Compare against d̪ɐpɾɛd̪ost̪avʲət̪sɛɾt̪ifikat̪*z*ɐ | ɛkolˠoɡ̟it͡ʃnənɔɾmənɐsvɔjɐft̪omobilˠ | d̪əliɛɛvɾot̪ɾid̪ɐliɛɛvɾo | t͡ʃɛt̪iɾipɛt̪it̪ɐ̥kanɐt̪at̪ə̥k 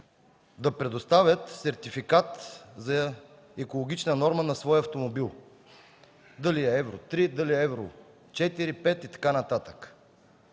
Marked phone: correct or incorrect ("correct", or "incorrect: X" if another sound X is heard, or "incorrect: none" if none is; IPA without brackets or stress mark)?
correct